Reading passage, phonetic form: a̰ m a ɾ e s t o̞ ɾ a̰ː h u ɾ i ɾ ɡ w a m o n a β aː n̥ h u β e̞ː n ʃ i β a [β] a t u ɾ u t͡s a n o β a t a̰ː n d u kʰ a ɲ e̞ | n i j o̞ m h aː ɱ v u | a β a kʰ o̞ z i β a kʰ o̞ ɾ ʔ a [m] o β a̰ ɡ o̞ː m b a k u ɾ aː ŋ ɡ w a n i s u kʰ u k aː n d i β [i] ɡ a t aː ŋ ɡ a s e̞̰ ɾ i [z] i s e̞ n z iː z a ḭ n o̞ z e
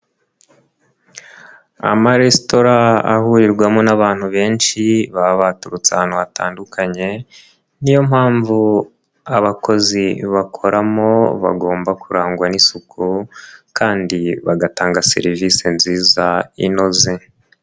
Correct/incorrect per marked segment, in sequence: correct, correct, incorrect, incorrect

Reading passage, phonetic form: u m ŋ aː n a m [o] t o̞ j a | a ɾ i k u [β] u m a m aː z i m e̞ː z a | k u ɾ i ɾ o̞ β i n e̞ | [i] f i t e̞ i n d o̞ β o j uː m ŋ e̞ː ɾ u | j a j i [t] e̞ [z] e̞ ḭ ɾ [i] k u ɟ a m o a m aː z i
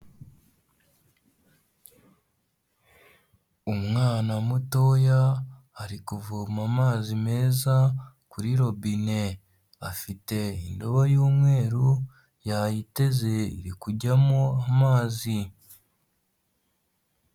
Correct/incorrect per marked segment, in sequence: incorrect, incorrect, incorrect, correct, correct, correct

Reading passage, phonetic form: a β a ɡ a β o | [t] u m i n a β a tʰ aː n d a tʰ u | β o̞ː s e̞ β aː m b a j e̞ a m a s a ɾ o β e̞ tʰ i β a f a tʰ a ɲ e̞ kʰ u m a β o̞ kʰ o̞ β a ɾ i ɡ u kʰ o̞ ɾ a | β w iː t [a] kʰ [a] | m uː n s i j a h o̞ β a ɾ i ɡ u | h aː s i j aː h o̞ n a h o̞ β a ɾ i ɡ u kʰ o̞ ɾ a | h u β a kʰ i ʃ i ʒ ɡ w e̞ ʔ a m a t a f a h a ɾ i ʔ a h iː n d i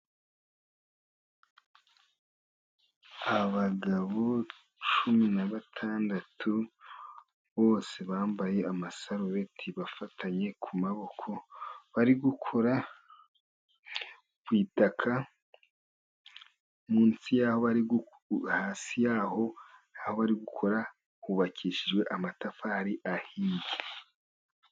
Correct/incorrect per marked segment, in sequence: incorrect, correct, correct

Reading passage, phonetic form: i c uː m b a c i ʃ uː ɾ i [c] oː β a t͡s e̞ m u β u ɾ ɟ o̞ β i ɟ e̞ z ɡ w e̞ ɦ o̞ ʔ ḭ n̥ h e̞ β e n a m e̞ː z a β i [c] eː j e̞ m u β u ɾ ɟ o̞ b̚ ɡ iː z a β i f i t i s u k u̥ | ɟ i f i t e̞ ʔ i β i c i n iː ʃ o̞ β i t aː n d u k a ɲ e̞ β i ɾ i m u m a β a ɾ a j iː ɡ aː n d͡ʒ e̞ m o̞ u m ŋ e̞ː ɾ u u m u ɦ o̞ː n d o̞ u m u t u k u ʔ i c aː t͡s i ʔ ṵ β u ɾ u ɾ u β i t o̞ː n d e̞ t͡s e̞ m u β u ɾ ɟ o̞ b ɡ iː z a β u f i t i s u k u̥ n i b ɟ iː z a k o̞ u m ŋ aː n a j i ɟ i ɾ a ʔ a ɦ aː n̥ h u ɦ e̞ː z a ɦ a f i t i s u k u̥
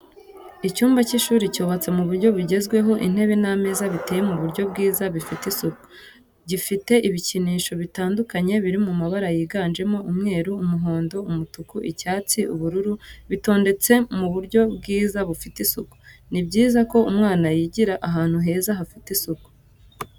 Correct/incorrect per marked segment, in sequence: correct, incorrect

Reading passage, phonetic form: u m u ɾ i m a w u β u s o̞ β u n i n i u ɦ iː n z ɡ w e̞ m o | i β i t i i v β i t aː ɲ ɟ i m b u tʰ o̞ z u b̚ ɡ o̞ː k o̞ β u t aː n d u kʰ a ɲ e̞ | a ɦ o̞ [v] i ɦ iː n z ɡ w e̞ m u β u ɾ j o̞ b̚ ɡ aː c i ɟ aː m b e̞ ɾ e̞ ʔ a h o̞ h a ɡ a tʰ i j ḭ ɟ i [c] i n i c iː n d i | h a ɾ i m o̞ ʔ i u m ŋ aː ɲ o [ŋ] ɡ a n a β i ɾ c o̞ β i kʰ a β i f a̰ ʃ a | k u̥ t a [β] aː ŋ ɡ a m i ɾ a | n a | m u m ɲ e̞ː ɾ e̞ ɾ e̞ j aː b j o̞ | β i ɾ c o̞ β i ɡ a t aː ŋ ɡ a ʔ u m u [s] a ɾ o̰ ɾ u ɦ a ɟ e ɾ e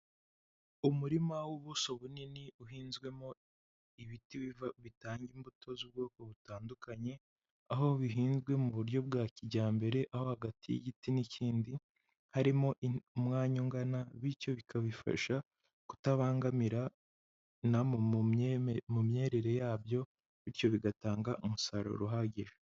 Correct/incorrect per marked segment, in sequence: incorrect, incorrect, correct, correct, correct

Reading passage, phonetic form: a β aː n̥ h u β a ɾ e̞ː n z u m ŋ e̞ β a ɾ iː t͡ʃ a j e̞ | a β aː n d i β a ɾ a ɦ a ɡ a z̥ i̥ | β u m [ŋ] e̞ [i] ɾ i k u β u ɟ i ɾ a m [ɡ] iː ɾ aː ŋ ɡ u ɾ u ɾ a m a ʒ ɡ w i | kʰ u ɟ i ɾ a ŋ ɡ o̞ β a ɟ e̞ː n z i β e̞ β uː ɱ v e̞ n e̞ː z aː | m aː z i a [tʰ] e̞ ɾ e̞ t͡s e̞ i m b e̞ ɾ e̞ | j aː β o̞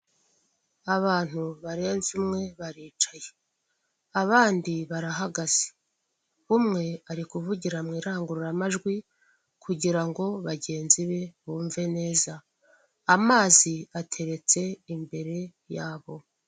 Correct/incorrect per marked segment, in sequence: correct, incorrect, incorrect, correct

